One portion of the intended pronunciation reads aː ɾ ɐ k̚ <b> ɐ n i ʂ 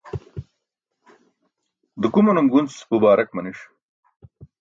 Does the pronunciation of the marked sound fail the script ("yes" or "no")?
yes